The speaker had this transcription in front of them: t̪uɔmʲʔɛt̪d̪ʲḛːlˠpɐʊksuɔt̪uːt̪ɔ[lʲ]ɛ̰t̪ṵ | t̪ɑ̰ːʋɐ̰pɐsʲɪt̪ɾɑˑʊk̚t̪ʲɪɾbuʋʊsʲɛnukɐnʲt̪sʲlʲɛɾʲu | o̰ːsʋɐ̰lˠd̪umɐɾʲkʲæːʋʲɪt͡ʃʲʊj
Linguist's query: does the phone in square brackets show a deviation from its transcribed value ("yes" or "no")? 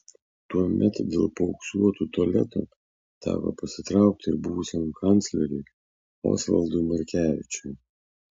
no